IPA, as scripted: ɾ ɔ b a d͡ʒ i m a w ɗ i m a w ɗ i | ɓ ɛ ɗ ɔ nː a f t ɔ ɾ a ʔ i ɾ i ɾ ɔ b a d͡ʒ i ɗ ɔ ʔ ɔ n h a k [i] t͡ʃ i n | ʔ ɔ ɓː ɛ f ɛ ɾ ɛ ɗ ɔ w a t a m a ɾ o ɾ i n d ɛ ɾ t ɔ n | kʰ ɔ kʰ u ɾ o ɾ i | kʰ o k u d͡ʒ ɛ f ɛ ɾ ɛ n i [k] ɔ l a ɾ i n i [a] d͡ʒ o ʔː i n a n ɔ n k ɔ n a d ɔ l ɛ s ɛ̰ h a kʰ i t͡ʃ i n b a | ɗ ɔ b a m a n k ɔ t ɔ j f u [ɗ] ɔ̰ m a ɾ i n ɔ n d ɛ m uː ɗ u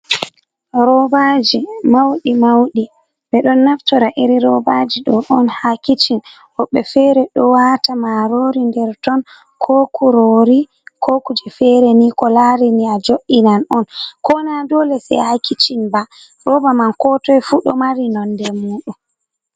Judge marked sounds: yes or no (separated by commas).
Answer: yes, yes, yes, yes